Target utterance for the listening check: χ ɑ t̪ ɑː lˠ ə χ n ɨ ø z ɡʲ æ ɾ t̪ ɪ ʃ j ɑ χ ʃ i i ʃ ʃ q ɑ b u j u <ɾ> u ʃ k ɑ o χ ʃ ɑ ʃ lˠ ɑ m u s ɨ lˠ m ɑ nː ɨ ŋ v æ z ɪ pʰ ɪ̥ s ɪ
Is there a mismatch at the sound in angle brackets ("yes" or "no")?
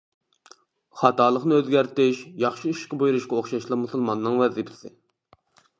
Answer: no